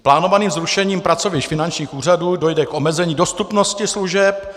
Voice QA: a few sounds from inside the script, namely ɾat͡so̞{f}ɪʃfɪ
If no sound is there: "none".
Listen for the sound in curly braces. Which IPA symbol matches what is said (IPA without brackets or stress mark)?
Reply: v